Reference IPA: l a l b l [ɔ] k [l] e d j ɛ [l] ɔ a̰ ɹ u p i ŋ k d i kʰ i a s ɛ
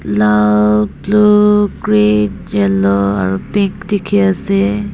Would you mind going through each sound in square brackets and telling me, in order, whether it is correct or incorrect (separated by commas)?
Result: incorrect, incorrect, correct